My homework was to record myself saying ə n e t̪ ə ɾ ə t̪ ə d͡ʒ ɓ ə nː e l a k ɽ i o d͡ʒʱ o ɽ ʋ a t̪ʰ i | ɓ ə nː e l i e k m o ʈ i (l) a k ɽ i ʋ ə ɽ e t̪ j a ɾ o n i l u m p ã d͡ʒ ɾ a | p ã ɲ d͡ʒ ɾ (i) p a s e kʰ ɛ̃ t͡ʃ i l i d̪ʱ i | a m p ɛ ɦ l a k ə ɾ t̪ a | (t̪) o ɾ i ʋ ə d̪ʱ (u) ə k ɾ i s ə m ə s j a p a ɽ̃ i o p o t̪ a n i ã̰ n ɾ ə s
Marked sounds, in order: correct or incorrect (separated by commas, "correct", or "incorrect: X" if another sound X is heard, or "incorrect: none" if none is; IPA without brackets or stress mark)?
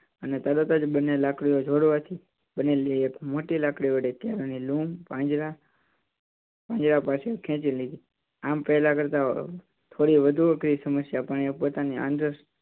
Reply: correct, incorrect: a, incorrect: t̪ʰ, correct